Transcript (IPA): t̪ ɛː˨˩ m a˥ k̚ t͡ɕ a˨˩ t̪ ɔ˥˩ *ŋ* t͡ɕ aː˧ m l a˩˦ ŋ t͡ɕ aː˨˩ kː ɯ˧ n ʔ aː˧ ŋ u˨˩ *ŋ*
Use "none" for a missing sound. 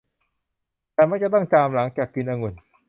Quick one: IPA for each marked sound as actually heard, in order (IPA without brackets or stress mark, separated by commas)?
ŋ, n